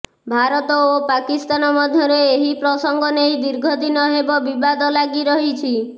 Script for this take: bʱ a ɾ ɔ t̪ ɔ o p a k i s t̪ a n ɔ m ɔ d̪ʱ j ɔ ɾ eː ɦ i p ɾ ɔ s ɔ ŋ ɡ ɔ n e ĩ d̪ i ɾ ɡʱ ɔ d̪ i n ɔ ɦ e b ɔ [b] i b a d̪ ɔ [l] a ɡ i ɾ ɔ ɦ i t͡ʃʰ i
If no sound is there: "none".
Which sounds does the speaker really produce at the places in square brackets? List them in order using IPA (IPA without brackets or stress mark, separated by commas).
b, l